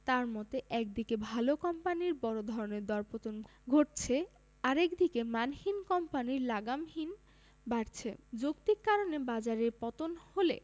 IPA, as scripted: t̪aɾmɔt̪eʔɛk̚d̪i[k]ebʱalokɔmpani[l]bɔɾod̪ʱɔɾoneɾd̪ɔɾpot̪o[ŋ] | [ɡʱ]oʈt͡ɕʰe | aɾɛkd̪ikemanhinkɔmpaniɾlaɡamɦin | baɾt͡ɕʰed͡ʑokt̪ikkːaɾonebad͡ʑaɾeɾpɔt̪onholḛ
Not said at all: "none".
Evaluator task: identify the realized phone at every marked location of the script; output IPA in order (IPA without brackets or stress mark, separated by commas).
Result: k, ɾ, n, ɡʱ